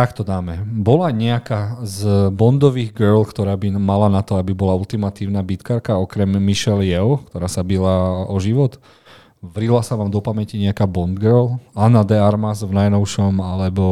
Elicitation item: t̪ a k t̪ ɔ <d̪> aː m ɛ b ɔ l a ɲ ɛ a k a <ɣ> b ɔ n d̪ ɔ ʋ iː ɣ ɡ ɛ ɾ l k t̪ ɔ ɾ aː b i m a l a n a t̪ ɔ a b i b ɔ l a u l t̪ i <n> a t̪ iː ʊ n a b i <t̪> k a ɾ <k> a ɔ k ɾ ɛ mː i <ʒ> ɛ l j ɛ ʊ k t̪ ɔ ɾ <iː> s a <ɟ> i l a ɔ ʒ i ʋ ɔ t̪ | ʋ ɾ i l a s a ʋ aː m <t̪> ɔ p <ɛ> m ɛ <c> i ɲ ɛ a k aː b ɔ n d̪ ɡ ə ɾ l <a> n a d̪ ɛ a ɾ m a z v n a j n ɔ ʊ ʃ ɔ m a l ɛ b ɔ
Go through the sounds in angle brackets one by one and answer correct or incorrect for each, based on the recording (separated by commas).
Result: correct, incorrect, incorrect, correct, correct, incorrect, incorrect, incorrect, incorrect, incorrect, correct, correct